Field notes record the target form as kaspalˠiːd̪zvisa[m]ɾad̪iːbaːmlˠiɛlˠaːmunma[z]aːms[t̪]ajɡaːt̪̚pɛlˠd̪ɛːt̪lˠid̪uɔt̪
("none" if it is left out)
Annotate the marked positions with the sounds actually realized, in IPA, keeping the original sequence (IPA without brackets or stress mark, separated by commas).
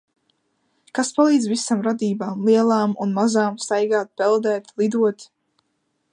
m, z, t̪